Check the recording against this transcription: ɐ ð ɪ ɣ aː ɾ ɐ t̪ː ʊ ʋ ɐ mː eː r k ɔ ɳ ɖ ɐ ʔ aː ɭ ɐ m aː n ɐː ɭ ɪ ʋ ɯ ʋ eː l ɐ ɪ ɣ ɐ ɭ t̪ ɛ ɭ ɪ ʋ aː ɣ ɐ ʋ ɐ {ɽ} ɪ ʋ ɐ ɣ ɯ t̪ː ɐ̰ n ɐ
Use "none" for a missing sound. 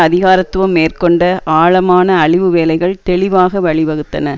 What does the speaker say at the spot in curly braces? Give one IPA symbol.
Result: ɭ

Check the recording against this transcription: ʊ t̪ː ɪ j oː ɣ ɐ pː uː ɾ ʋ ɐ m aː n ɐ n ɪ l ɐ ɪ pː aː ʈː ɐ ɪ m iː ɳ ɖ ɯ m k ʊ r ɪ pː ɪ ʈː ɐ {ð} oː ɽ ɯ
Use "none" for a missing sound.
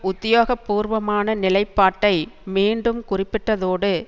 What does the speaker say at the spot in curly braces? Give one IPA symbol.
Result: ð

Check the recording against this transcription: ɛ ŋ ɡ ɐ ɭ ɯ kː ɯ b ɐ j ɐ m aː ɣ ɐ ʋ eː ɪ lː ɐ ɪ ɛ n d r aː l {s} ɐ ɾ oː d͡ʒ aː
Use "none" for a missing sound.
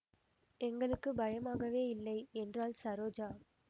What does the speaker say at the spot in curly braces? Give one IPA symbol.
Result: s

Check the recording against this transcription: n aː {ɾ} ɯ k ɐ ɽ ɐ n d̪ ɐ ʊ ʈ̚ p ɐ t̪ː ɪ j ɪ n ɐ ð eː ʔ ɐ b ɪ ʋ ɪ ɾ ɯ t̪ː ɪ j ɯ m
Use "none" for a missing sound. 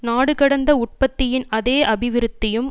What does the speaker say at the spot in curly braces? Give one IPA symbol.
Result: ɽ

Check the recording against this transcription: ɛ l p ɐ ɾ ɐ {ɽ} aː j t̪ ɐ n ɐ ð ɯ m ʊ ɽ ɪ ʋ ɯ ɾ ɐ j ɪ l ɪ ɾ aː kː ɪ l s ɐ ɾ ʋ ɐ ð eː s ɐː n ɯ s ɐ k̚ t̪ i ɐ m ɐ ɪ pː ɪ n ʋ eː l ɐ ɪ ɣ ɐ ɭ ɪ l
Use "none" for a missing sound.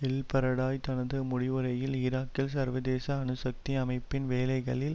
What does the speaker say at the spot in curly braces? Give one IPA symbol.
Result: ɽ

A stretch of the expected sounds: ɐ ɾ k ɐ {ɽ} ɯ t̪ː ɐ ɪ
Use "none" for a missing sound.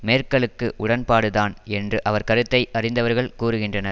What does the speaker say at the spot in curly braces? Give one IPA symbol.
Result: ɾ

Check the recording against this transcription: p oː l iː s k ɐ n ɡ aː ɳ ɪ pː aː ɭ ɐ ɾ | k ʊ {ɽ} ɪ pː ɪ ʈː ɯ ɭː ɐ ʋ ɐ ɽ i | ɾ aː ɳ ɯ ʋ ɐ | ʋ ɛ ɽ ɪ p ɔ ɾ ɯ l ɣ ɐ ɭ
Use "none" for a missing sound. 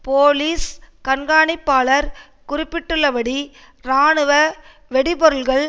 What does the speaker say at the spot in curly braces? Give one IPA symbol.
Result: r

